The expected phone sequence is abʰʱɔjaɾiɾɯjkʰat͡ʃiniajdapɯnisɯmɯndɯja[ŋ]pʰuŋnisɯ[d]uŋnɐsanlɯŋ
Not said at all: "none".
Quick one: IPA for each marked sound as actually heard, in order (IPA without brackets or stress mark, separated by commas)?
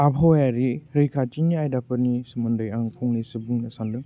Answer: ŋ, b